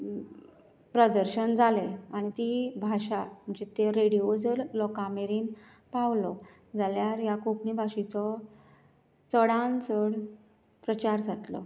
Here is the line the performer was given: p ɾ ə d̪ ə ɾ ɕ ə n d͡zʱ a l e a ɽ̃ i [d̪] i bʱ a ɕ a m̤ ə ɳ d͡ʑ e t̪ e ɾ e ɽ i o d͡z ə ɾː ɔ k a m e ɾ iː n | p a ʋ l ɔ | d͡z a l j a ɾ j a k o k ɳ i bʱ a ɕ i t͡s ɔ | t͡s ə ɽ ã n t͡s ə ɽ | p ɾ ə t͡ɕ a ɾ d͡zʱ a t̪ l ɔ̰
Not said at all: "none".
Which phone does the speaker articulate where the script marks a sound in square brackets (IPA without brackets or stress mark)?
t̪